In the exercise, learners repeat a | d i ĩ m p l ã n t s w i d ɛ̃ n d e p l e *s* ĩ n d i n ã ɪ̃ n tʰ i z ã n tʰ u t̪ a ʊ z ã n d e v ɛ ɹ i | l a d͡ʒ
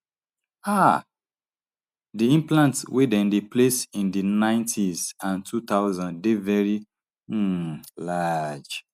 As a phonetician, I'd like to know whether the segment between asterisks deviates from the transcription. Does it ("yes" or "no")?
no